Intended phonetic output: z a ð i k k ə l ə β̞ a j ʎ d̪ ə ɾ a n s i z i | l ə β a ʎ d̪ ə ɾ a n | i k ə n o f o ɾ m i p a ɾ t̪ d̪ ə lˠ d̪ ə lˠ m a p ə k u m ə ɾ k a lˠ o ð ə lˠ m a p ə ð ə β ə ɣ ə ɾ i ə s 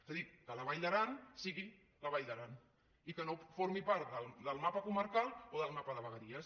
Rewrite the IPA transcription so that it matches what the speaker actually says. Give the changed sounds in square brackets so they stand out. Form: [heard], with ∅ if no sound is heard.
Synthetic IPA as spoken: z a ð i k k ə l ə β̞ a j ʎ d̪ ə ɾ a n s i [ɣ] i | l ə β a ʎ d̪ ə ɾ a n | i k ə n o f o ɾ m i p a ɾ t̪ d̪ ə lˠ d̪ ə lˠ m a p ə k u m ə ɾ k a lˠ o ð ə lˠ m a p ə ð ə β ə ɣ ə ɾ i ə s